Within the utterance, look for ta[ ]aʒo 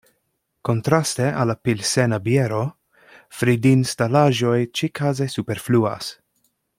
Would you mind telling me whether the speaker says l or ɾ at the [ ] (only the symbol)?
l